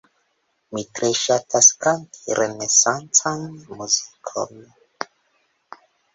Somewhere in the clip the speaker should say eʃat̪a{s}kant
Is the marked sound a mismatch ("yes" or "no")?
no